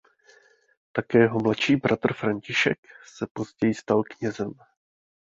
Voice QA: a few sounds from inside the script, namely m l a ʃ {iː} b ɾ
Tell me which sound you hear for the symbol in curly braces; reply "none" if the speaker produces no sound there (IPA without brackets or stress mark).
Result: iː